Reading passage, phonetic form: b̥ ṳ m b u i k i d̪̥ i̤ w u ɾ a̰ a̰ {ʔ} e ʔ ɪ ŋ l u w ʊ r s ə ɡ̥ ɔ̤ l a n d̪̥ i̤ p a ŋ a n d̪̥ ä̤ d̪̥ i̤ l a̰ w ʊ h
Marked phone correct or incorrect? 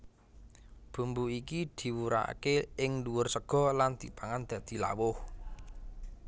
incorrect